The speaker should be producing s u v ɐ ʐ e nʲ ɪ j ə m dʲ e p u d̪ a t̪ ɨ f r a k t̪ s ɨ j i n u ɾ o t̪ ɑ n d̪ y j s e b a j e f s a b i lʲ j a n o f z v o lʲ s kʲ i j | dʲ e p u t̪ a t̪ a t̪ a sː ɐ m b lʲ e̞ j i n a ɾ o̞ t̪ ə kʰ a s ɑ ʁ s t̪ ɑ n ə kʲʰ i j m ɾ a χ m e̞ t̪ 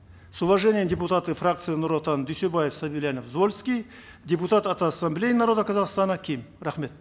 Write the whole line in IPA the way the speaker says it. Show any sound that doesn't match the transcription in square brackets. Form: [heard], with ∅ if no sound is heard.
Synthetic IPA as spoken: s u v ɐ ʐ e nʲ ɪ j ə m dʲ e p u [t̪] a t̪ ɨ f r a k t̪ s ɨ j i n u ɾ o t̪ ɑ n d̪ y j s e b a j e f s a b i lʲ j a n o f z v o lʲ s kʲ i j | dʲ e p u t̪ a t̪ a t̪ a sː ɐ m b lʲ e̞ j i n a ɾ o̞ [d̪] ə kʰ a [z] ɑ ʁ s t̪ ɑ n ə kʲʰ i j m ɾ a χ m e̞ t̪